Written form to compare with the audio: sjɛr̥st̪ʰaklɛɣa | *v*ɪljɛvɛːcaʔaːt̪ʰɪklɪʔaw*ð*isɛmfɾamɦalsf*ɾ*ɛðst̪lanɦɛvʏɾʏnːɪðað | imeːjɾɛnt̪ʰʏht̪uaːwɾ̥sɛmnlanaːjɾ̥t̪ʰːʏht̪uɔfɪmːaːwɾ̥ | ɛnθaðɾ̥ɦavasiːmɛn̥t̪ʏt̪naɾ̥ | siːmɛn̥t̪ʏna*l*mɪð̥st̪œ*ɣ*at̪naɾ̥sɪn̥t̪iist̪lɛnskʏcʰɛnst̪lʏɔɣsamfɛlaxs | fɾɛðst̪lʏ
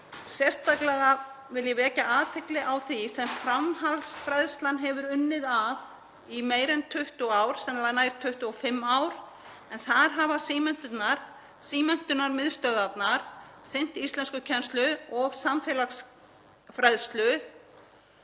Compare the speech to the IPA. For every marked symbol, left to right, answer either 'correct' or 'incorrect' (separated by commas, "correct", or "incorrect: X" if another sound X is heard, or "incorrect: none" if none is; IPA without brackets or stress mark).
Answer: correct, incorrect: θ, correct, incorrect: ɾ, incorrect: ð